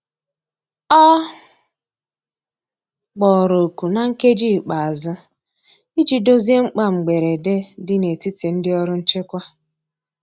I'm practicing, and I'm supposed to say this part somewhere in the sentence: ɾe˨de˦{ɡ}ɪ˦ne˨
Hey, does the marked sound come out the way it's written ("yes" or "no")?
no